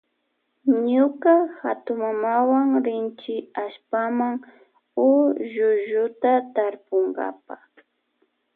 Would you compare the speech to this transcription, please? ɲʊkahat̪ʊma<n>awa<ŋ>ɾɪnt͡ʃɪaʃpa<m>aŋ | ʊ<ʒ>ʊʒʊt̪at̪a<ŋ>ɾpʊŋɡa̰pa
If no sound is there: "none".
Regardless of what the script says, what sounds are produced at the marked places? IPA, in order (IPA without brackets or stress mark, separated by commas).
m, ŋ, m, ʒ, none